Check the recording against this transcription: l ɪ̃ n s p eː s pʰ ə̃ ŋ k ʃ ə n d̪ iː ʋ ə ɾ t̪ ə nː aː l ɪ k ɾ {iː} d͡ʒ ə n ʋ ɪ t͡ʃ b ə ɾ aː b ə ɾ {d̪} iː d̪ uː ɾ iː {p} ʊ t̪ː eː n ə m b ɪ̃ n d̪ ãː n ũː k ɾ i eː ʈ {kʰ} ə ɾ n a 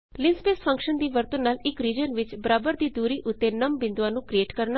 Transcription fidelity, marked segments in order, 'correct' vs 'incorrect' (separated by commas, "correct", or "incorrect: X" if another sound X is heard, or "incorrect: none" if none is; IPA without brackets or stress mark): correct, correct, incorrect: ʔ, incorrect: k